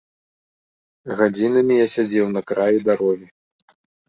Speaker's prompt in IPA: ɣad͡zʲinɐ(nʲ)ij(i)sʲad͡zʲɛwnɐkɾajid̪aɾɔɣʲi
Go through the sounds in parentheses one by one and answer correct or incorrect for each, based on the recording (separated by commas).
incorrect, incorrect